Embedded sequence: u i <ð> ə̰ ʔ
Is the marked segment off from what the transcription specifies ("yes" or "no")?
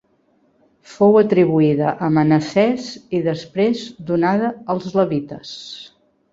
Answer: no